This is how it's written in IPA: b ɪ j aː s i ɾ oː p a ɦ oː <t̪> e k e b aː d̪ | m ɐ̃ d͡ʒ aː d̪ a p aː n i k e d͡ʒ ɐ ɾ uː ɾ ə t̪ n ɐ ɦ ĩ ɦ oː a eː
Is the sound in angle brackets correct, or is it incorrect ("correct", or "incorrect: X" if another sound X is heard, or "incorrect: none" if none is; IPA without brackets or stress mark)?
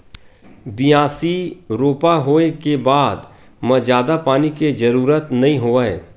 incorrect: none